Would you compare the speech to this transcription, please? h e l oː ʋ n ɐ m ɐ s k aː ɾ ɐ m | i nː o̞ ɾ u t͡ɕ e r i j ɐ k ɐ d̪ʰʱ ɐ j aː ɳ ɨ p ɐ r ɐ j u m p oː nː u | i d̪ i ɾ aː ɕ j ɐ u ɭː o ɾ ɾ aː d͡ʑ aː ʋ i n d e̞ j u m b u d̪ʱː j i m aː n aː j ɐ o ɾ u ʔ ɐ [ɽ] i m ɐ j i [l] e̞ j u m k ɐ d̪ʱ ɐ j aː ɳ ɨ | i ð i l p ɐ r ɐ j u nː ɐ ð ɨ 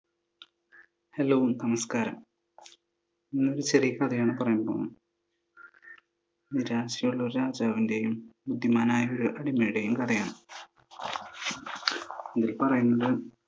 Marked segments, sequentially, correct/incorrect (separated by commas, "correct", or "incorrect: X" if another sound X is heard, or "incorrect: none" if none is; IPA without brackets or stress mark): correct, incorrect: ɽ